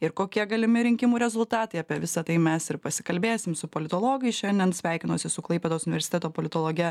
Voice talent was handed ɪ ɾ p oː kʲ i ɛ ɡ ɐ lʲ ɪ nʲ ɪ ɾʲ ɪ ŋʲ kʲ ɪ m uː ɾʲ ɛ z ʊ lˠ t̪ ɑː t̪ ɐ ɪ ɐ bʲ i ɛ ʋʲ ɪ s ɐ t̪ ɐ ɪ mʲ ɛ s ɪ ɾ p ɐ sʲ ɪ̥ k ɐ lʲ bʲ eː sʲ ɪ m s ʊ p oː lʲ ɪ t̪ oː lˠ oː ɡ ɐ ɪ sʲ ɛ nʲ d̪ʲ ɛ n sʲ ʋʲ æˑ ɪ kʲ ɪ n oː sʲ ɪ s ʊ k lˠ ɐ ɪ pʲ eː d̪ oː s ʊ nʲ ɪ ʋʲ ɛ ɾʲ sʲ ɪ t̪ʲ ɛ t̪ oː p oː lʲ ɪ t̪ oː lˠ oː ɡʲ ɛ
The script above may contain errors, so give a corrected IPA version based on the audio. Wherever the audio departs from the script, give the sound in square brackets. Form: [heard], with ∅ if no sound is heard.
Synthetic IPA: ɪ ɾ [k] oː kʲ i ɛ ɡ ɐ lʲ ɪ [mʲ] ɪ ɾʲ ɪ ŋʲ kʲ ɪ m uː ɾʲ ɛ z ʊ lˠ t̪ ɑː t̪ ɐ ɪ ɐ [pʲ] i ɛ ʋʲ ɪ s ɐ t̪ ɐ ɪ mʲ ɛ s ɪ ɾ p ɐ sʲ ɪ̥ k ɐ lʲ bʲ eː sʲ ɪ m s ʊ p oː lʲ ɪ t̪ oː lˠ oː ɡ ɐ ɪ [ʃʲ] ɛ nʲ d̪ʲ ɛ n sʲ ʋʲ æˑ ɪ kʲ ɪ n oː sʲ ɪ s ʊ k lˠ ɐ ɪ pʲ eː d̪ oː s ʊ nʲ ɪ ʋʲ ɛ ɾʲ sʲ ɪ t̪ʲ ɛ t̪ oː p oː lʲ ɪ t̪ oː lˠ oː ɡʲ ɛ